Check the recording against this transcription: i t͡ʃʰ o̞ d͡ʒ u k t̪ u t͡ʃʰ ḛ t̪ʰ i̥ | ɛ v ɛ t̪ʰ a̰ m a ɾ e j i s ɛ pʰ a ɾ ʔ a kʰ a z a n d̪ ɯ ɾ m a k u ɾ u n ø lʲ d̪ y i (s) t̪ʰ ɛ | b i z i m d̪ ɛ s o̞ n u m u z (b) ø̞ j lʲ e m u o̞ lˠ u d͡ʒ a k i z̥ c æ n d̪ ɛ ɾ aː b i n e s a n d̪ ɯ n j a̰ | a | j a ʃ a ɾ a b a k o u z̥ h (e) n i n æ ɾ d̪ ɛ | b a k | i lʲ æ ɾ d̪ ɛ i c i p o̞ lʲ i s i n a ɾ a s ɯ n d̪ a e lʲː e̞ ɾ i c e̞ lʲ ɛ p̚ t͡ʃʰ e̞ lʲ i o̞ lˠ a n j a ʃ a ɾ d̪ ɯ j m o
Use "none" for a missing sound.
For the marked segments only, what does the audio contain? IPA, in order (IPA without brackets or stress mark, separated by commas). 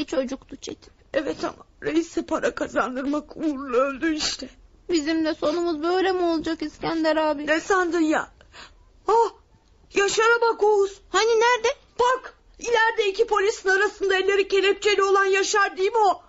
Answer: ʃ, b, a